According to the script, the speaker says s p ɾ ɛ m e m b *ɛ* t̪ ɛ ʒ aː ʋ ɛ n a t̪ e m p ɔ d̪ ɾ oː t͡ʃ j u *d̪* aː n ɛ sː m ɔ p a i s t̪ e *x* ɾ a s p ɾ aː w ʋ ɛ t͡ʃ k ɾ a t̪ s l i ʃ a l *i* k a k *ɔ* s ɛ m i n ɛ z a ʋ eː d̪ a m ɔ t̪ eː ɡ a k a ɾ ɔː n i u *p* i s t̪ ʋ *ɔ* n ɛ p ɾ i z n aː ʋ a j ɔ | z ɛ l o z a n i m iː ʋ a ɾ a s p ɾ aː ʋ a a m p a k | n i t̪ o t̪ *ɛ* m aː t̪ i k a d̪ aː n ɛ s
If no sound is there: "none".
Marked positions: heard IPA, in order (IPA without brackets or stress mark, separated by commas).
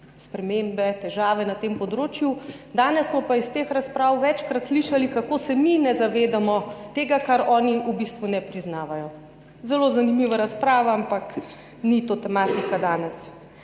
ɛ, d̪, x, i, o, b, u, ɛ